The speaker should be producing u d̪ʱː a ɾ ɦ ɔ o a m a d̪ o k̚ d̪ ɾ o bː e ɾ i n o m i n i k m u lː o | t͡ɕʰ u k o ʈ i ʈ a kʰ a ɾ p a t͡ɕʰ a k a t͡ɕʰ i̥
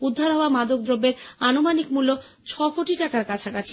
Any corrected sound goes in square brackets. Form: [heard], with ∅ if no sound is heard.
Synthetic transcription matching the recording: u d̪ʱː a ɾ ɦ ɔ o a m a d̪ o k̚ d̪ ɾ o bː e ɾ [a] n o m [a] n i k m u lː o | t͡ɕʰ [ɔ] k o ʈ i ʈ a [k] a ɾ [k] a t͡ɕʰ a k a t͡ɕʰ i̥